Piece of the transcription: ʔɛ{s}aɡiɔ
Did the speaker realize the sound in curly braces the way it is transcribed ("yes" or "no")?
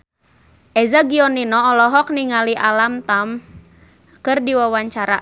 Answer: no